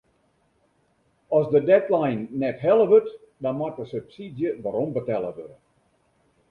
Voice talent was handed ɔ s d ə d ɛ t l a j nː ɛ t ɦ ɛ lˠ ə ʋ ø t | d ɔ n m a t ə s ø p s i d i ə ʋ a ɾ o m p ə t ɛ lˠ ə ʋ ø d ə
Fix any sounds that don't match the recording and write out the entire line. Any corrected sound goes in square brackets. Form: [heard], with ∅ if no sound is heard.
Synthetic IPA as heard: ɔ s d ə d ɛ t l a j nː ɛ t ɦ ɛ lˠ ə ʋ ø t | d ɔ n m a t ə s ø p s i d [j] ə ʋ a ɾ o m [b] ə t ɛ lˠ ə ʋ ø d ə